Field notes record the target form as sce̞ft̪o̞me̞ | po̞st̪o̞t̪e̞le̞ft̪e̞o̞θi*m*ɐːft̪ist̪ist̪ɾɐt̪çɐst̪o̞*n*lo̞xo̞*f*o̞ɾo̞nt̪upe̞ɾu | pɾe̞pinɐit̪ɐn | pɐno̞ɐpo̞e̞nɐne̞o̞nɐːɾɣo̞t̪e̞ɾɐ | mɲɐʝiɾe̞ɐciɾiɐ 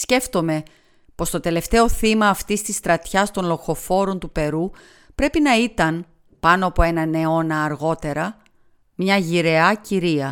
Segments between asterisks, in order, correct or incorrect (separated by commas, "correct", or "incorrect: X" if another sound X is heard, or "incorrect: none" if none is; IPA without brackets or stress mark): correct, correct, correct